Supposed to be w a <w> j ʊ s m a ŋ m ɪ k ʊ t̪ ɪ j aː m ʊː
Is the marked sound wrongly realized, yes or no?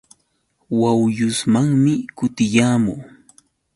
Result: no